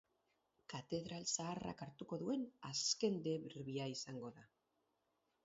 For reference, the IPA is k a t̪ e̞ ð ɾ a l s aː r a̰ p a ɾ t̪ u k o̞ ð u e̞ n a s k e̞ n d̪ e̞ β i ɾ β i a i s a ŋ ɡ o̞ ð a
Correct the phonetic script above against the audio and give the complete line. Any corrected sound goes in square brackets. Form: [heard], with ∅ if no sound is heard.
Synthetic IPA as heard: k a t̪ e̞ ð ɾ a l s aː r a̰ [k] a ɾ t̪ u k o̞ ð u e̞ n a s k e̞ n d̪ e̞ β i ɾ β i a i s a ŋ ɡ o̞ ð a

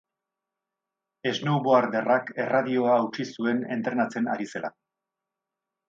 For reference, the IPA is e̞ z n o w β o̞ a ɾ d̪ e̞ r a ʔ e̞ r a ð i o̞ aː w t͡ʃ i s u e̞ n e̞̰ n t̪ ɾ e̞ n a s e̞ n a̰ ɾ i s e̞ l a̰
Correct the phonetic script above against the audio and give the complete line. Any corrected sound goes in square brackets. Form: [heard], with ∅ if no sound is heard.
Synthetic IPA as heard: e̞ z n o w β o̞ a ɾ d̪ e̞ r a [k] e̞ r a ð i o̞ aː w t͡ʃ i s u e̞ n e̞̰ n t̪ ɾ e̞ n a [t͡s] e̞ n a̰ ɾ i s e̞ l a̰

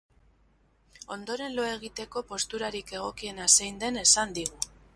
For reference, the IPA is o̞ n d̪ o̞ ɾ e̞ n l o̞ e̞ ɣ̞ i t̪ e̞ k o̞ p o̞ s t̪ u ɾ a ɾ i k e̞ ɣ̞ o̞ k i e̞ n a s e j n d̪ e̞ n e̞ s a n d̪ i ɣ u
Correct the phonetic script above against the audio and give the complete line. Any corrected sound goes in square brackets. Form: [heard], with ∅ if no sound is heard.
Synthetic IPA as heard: o̞ n d̪ o̞ ɾ e̞ n l o̞ e̞ ɣ̞ i t̪ e̞ k o̞ p o̞ s t̪ u ɾ a ɾ i k e̞ ɣ̞ o̞ k i e̞ n a s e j n d̪ e̞ n e̞ s a n d̪ i ɣ u

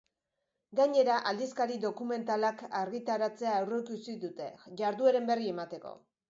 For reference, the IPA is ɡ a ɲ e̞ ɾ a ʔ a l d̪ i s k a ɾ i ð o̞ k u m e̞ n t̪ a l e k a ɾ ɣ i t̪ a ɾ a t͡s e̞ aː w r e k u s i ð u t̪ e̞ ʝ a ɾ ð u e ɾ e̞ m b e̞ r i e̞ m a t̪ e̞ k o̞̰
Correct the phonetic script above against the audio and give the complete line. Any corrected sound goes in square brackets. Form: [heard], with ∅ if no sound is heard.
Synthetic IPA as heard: ɡ a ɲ e̞ ɾ a ʔ a l d̪ i s k a ɾ i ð o̞ k u m e̞ n t̪ a l [a] k a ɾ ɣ i t̪ a ɾ a t͡s e̞ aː w r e k u s i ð u t̪ e̞ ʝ a ɾ ð u e ɾ e̞ m b e̞ r i e̞ m a t̪ e̞ k o̞̰

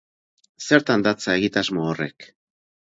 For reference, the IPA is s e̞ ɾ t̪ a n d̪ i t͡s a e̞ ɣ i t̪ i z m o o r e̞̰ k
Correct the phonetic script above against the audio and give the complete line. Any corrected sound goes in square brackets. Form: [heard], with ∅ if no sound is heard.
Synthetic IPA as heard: s e̞ ɾ t̪ a n d̪ [a] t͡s a e̞ ɣ i t̪ [a] z m o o r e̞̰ k

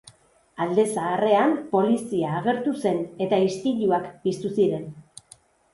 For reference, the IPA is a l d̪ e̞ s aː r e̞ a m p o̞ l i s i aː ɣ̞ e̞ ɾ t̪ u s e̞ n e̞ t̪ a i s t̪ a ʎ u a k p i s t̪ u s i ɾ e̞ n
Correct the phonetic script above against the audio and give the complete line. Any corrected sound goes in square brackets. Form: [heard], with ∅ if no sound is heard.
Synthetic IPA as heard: a l d̪ e̞ s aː r e̞ a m p o̞ l i s i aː ɣ̞ e̞ ɾ t̪ u s e̞ n e̞ t̪ a i s t̪ [i] ʎ u a k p i s t̪ u s i ɾ e̞ n

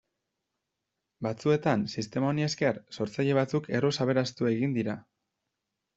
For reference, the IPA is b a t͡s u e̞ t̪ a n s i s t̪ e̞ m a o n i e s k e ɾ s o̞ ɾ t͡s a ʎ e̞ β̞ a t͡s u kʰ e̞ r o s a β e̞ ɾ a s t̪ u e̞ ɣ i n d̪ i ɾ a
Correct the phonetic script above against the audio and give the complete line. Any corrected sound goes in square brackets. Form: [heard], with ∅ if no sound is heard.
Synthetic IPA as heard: b a t͡s u e̞ t̪ a n s i s t̪ e̞ m a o n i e s k e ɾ s o̞ ɾ t͡s a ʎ e̞ β̞ a t͡s u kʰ e̞ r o s a β e̞ ɾ a s t̪ u e̞ ɣ i n d̪ i ɾ a

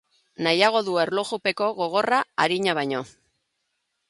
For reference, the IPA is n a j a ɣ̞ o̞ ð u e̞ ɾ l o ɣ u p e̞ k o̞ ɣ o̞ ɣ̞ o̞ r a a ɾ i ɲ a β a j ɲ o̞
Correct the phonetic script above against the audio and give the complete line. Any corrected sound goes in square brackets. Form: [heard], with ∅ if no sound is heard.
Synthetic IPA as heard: n a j a ɣ̞ o̞ ð u e̞ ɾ l o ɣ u p e̞ k o̞ ɣ o̞ ɣ̞ o̞ r a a ɾ i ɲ a β a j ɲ o̞

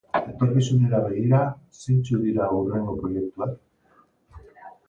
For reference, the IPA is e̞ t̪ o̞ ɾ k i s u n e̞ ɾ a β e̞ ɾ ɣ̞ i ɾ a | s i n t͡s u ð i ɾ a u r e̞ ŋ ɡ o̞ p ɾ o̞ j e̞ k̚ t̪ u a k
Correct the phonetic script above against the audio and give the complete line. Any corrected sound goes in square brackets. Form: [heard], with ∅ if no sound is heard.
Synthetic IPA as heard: e̞ t̪ o̞ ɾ k i s u n e̞ ɾ a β e̞ [∅] ɣ̞ i ɾ a | s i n t͡s u ð i ɾ a u r e̞ ŋ ɡ o̞ p ɾ o̞ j e̞ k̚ t̪ u a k

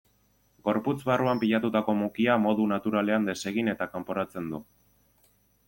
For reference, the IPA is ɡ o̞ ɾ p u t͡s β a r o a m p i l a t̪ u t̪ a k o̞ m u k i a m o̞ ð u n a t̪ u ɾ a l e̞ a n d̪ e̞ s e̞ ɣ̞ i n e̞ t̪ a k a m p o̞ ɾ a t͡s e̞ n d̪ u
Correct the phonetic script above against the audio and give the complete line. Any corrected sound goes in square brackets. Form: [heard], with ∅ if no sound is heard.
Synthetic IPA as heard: ɡ o̞ ɾ p u t͡s β a r [u] a m p i [ʎ] a t̪ u t̪ a k o̞ m u k i a m o̞ ð u n a t̪ u ɾ a l e̞ a n d̪ e̞ s e̞ ɣ̞ i n e̞ t̪ a k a m p o̞ ɾ a t͡s e̞ n d̪ u

